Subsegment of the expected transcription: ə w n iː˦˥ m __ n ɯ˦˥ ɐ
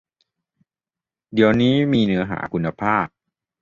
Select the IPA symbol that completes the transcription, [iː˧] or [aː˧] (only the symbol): iː˧